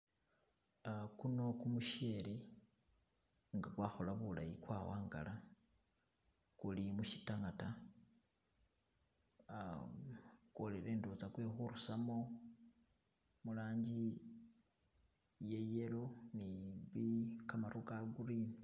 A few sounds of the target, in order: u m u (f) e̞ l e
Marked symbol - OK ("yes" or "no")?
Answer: no